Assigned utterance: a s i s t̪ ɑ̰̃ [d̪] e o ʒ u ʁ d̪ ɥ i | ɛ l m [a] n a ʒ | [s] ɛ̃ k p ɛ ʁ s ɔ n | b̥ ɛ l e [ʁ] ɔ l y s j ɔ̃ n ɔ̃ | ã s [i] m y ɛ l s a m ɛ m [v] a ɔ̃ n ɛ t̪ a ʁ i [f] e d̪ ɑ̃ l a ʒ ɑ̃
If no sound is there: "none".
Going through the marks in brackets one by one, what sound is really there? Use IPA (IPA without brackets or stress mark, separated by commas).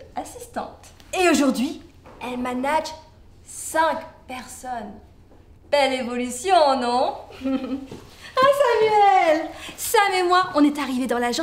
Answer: t̪, a, s, v, a, w, v